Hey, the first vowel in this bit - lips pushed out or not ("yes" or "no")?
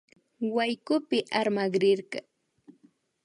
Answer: no